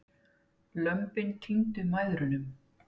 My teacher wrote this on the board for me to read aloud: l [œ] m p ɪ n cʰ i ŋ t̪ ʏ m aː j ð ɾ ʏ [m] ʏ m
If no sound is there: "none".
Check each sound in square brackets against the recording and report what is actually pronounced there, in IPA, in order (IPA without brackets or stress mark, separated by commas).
œ, n